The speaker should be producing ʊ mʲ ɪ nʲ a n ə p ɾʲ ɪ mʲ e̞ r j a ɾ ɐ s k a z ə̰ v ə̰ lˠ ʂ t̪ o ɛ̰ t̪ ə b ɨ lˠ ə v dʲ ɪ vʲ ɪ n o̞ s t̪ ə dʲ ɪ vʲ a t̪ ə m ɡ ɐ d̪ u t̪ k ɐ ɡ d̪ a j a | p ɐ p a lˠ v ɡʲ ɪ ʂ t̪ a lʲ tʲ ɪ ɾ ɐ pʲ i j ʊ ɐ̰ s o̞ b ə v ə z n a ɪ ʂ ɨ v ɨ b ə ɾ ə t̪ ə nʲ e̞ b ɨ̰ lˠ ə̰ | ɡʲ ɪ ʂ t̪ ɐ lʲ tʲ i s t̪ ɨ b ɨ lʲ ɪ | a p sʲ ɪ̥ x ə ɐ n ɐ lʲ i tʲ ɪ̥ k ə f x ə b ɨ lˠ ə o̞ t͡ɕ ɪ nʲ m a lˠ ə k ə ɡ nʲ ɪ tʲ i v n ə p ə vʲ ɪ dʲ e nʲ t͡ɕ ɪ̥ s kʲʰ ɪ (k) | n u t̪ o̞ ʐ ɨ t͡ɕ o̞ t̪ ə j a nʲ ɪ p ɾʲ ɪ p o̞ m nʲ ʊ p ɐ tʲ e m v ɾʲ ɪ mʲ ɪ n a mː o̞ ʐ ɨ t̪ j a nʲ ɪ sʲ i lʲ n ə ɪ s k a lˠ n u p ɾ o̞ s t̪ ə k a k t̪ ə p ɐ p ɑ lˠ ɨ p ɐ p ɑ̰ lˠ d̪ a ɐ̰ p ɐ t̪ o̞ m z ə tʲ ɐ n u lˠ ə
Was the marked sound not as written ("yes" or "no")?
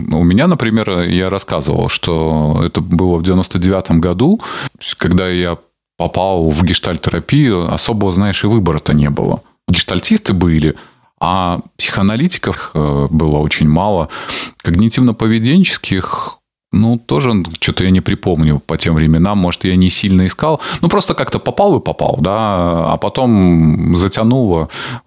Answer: yes